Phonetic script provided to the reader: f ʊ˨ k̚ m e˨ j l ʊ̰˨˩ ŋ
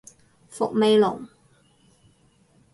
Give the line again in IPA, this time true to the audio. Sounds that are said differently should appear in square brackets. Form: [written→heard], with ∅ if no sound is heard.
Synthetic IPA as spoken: f ʊ˨ k̚ m e˨ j l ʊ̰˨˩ ŋ